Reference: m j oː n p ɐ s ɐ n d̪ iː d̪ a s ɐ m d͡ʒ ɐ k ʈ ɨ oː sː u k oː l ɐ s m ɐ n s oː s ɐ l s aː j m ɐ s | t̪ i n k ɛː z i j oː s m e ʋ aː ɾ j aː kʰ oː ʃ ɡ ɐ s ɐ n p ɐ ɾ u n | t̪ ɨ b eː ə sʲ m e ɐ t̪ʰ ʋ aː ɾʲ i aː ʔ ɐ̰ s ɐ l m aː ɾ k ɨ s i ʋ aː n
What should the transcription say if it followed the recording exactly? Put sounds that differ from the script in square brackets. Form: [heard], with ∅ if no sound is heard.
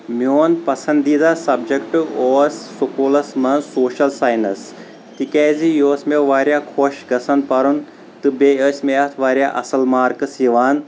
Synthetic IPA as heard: m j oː n p ɐ s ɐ n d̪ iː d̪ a s ɐ [b] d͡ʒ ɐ k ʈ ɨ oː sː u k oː l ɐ s m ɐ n s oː [ʃ] ɐ l s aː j [n] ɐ s | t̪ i [∅] k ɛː z i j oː s m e ʋ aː ɾ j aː kʰ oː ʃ ɡ ɐ s ɐ n p ɐ ɾ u n | t̪ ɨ b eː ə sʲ m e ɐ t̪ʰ ʋ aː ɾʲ [j] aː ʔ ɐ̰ s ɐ l m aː ɾ k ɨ s i ʋ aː n